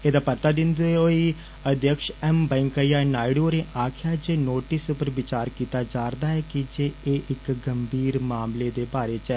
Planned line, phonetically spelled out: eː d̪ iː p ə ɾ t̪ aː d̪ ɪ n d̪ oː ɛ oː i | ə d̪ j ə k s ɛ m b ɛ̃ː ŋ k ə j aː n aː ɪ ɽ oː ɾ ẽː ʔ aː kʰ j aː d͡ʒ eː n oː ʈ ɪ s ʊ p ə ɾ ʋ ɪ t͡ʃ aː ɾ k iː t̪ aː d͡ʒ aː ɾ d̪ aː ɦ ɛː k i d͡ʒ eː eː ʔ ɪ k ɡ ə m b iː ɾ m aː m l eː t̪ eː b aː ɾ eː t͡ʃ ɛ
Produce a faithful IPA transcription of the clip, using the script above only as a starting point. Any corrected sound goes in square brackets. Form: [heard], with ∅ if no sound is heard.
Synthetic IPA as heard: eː d̪ [aː] p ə ɾ t̪ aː d̪ ɪ n d̪ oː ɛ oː i | ə d̪ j ə k [ʃ] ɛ m b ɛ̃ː ŋ k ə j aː n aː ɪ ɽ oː ɾ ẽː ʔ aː kʰ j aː d͡ʒ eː n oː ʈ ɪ s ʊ p ə ɾ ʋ ɪ t͡ʃ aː ɾ k iː t̪ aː d͡ʒ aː ɾ d̪ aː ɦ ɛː k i d͡ʒ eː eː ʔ ɪ k ɡ ə m b iː ɾ m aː m l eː [d̪] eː b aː ɾ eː t͡ʃ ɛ